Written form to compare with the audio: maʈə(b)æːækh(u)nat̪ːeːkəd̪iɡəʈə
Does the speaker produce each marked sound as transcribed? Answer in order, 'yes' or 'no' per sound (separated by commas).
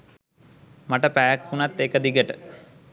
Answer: no, yes